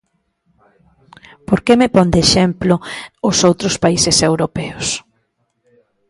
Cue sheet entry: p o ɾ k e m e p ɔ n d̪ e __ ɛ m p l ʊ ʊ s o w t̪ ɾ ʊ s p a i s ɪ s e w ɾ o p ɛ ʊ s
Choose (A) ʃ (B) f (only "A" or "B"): A